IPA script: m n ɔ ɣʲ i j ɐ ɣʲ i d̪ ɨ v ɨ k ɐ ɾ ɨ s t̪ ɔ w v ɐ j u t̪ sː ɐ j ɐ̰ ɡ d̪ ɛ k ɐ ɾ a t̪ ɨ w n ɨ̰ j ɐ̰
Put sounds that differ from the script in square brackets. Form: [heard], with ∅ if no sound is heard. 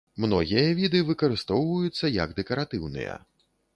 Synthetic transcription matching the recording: m n ɔ ɣʲ i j ɐ [vʲ] i d̪ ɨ v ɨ k ɐ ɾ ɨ s t̪ ɔ w v ɐ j u t̪ sː ɐ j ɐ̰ ɡ d̪ ɛ k ɐ ɾ a t̪ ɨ w n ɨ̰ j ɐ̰